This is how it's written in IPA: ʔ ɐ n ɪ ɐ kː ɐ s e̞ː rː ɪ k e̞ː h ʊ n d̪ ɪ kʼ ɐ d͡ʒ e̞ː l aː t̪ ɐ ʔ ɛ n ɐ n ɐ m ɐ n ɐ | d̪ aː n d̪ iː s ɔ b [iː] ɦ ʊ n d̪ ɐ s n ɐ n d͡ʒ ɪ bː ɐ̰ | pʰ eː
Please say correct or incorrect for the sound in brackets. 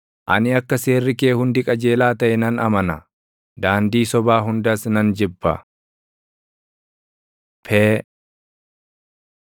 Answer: incorrect: aː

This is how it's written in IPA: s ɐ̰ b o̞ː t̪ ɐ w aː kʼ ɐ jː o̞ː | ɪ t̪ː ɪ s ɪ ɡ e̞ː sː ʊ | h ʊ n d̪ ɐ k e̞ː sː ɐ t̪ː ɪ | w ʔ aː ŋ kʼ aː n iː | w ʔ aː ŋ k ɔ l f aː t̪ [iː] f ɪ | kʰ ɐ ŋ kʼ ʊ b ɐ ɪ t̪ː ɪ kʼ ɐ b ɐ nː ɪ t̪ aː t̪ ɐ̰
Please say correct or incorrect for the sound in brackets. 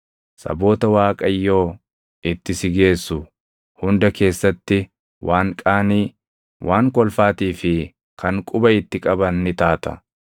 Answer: correct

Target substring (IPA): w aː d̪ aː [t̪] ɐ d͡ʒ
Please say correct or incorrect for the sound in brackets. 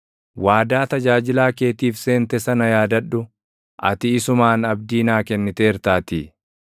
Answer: correct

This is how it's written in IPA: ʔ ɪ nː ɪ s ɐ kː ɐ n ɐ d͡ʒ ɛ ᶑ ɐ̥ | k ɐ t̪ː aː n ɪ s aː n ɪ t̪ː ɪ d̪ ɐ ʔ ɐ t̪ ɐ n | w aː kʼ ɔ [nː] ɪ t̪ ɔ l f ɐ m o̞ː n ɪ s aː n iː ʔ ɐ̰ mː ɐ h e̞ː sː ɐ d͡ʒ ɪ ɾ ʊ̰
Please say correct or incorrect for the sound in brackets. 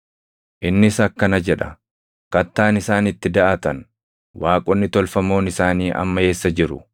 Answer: correct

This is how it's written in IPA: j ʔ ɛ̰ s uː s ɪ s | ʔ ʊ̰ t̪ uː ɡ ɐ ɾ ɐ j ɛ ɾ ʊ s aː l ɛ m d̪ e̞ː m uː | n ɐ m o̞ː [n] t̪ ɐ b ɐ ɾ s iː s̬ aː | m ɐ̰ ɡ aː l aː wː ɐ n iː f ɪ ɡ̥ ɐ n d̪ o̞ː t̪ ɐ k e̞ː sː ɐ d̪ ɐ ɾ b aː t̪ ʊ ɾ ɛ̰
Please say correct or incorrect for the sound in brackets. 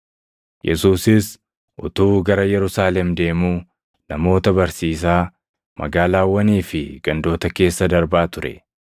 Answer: incorrect: none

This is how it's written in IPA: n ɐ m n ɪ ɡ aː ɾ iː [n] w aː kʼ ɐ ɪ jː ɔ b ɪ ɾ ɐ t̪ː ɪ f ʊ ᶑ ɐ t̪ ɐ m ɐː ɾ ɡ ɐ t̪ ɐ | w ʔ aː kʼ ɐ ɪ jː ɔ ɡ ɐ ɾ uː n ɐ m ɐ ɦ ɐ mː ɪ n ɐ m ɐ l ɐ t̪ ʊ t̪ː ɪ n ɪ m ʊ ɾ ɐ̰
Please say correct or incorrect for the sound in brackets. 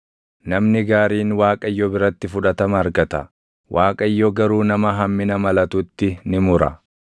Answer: correct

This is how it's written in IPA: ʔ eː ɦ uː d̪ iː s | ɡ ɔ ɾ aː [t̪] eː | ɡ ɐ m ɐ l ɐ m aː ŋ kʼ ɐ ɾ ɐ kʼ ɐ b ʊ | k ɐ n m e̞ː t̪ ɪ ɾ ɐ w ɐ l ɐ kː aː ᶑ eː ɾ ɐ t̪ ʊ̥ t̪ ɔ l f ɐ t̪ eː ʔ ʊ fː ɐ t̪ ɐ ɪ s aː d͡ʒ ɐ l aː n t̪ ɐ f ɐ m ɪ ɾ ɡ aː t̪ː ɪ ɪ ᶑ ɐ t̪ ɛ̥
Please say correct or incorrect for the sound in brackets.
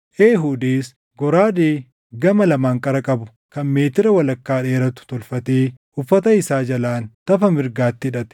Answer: incorrect: d̪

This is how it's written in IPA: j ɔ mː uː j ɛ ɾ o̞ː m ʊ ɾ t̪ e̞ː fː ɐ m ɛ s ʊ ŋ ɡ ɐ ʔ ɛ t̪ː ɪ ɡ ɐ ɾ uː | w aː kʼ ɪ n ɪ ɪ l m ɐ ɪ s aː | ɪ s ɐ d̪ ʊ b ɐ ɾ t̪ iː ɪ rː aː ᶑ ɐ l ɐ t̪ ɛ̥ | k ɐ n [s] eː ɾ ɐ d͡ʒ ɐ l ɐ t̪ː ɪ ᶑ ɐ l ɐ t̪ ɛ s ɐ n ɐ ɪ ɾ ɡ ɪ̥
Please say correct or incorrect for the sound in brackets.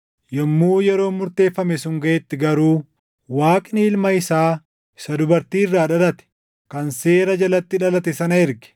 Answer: correct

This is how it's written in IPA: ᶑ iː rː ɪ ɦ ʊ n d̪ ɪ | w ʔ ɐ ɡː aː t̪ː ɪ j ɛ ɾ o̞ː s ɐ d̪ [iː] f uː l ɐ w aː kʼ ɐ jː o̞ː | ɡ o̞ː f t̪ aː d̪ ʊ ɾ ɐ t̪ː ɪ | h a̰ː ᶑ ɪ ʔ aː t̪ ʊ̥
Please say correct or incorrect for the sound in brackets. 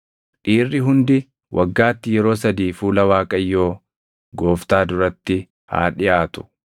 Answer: correct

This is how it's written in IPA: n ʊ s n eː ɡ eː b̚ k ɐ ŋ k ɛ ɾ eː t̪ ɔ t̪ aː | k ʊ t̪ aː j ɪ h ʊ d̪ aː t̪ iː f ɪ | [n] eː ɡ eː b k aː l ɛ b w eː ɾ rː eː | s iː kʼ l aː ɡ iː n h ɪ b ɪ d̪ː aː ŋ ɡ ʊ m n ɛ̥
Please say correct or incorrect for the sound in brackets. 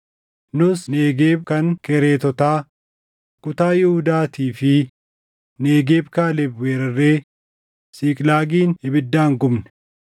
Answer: correct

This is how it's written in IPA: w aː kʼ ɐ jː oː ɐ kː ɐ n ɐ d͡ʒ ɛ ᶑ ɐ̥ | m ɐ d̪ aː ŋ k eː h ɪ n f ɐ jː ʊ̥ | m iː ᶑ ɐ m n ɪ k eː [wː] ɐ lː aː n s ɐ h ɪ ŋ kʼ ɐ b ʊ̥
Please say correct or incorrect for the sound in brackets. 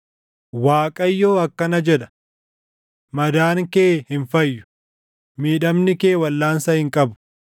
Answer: incorrect: w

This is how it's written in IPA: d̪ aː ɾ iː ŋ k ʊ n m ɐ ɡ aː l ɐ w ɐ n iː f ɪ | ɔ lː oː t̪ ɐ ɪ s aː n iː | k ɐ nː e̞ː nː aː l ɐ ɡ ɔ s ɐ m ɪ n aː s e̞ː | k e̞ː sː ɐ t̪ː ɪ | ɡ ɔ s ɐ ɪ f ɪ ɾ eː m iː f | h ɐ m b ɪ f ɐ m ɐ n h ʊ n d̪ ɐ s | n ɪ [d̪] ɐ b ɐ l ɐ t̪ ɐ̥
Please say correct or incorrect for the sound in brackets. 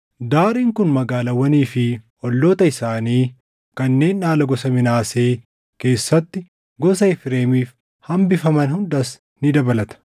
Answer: correct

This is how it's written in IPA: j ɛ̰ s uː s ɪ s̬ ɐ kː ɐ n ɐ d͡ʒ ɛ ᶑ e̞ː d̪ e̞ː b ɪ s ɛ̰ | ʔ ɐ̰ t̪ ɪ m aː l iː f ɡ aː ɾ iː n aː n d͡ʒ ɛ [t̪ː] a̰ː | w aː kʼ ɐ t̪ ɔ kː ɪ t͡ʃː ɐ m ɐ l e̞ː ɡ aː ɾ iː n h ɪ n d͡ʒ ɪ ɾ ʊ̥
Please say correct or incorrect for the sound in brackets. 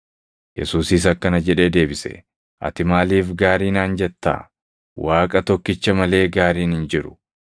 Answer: correct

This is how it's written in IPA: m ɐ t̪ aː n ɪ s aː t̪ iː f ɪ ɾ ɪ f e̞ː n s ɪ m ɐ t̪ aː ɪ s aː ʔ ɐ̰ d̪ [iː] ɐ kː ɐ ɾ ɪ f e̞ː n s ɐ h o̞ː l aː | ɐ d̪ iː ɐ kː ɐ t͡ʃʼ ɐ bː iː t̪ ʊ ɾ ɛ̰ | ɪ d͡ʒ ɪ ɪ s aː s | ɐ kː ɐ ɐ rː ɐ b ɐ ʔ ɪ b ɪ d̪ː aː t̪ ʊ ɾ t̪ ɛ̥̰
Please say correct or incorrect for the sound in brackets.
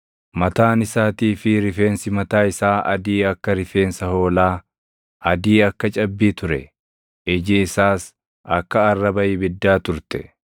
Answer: correct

